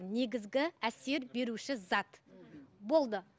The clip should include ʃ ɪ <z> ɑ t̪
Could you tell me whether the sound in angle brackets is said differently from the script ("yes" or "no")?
no